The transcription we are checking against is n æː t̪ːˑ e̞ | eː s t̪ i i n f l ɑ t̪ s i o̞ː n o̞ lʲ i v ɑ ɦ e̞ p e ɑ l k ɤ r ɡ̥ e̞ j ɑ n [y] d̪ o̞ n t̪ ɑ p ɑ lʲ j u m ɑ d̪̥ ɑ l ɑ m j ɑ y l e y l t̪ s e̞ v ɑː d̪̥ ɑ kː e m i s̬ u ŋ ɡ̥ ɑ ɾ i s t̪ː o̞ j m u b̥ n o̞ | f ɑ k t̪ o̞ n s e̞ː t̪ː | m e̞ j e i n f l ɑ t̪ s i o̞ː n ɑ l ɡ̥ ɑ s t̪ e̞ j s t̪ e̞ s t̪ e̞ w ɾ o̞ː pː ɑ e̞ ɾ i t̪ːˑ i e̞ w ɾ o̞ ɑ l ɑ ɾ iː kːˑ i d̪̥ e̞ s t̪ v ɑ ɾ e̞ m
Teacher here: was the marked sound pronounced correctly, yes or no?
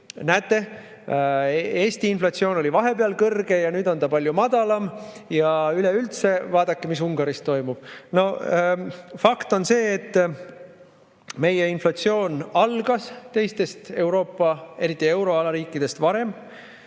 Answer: no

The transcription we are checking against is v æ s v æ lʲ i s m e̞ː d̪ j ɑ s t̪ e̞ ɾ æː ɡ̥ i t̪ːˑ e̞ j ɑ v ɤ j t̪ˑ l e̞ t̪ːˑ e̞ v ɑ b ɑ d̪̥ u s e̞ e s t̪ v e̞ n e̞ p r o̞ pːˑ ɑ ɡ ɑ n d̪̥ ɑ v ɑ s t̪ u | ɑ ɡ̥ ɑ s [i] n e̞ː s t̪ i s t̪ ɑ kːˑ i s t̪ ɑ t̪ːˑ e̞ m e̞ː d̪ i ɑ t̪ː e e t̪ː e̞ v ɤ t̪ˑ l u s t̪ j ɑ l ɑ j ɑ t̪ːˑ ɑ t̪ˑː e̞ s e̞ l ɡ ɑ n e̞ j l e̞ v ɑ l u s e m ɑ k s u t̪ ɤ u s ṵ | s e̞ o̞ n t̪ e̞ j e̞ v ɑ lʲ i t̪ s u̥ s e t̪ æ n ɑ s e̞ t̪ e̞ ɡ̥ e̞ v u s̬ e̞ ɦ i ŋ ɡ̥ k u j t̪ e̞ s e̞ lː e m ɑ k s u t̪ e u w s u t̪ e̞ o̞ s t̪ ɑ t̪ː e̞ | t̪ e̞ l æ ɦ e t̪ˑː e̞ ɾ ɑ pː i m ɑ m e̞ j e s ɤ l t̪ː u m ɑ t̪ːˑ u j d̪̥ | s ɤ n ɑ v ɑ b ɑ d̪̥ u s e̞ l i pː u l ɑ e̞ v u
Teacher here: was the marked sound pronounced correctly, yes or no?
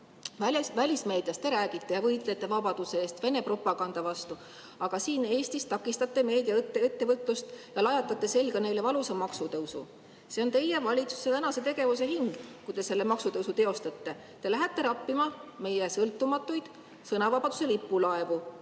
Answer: no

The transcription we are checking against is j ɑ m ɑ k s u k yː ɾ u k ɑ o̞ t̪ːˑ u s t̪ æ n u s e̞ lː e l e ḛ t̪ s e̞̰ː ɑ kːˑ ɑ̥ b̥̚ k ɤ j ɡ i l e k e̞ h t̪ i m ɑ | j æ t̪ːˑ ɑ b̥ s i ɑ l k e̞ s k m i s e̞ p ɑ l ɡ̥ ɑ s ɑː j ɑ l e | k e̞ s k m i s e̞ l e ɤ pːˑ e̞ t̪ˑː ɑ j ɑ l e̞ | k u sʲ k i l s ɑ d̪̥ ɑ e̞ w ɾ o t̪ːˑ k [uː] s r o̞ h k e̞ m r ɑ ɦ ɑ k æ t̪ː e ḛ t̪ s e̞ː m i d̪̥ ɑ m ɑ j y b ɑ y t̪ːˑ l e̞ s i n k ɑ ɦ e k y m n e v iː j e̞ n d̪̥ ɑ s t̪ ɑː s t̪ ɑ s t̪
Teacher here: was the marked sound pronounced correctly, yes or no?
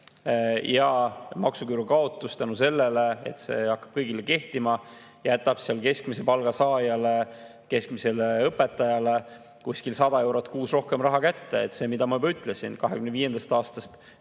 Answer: yes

